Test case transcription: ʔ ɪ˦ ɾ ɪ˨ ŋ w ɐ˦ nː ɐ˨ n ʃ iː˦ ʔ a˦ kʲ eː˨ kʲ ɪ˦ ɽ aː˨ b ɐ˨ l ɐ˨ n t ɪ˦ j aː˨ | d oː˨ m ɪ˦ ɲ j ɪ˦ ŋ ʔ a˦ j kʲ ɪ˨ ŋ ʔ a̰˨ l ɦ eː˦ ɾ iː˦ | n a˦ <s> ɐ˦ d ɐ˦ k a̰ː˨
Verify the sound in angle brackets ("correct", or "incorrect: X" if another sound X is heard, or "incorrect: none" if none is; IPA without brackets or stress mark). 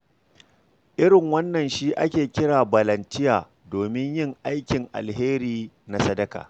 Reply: correct